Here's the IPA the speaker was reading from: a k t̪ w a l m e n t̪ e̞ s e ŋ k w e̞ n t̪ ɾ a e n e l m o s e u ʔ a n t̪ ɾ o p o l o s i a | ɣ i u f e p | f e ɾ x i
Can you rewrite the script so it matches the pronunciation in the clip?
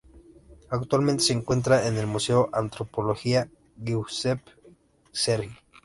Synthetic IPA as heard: a k t̪ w a l m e n t̪ e̞ s e ŋ k w e̞ n t̪ ɾ a e n e l m u s e o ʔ a n t̪ ɾ o p o l o x i a | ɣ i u s e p | s e ɾ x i